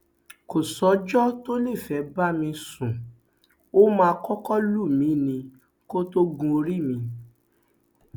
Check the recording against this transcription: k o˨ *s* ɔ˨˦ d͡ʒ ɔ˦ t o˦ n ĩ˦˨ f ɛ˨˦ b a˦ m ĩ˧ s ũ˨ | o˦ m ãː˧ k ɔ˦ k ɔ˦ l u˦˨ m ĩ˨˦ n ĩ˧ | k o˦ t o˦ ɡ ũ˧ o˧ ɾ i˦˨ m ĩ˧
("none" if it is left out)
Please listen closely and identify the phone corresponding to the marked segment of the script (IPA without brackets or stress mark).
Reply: s